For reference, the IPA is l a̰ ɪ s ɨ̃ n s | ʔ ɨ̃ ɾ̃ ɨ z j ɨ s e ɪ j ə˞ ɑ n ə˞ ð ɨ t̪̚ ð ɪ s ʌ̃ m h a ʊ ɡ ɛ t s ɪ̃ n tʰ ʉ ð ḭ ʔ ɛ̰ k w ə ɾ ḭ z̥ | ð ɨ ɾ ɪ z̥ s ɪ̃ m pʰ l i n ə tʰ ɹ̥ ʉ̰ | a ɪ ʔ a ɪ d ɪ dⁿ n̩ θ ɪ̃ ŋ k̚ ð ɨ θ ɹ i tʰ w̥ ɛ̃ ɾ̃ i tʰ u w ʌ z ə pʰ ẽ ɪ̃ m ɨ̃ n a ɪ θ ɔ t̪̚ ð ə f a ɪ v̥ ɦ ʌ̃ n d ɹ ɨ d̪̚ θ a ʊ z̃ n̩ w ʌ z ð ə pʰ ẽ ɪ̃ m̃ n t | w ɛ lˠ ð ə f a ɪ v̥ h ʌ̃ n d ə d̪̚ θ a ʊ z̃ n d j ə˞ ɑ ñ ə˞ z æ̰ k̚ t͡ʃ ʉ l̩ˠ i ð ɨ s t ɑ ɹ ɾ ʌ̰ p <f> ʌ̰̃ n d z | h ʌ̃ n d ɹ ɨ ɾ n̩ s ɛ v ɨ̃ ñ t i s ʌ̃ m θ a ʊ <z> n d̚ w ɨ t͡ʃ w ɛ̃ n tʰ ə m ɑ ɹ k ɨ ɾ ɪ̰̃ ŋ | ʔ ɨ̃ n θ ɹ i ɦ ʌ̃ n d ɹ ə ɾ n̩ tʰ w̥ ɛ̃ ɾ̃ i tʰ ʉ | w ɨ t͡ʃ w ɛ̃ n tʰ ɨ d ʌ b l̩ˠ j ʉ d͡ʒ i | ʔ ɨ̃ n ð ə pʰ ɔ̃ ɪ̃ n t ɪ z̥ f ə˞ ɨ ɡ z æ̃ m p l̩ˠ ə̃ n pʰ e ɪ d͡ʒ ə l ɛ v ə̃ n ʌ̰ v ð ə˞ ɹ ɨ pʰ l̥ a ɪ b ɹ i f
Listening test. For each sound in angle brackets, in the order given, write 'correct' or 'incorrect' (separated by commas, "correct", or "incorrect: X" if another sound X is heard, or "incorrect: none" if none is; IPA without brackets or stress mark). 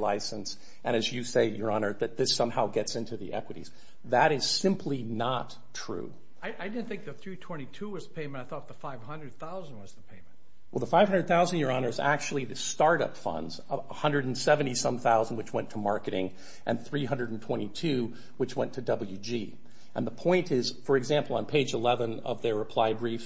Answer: correct, correct